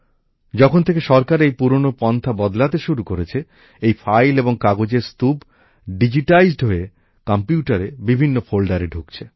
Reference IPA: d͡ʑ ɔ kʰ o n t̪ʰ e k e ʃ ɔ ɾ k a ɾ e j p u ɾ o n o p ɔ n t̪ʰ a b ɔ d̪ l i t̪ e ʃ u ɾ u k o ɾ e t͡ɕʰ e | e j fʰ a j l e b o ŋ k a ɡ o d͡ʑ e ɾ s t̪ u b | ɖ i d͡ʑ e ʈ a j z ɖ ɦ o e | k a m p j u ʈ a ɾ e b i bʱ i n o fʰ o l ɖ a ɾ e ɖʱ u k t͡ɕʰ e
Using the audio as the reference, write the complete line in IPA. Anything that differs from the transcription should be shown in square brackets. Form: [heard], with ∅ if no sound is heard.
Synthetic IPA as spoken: d͡ʑ ɔ kʰ o n t̪ʰ e k e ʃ ɔ ɾ k a ɾ e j p u ɾ o n o p ɔ n t̪ʰ a b ɔ d̪ l [a] t̪ e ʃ u ɾ u k o ɾ e t͡ɕʰ e | e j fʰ a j l e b o ŋ k a ɡ o d͡ʑ e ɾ s t̪ u b | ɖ i d͡ʑ [i] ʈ a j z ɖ ɦ o e | k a m p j u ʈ a ɾ e b i bʱ i [nː] o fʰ o l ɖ a ɾ e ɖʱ u k t͡ɕʰ e